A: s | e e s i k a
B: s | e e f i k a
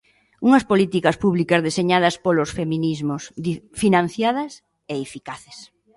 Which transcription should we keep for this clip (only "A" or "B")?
B